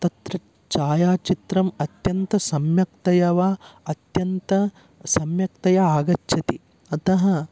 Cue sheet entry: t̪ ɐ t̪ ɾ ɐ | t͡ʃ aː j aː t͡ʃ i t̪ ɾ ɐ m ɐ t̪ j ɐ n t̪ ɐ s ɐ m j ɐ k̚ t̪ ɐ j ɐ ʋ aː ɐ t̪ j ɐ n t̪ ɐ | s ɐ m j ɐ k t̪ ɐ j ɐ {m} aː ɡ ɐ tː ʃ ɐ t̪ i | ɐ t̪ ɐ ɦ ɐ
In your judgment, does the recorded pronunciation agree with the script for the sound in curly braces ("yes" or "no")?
no